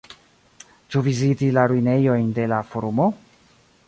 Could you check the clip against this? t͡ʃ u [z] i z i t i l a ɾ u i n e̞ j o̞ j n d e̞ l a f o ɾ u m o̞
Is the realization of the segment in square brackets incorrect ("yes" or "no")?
yes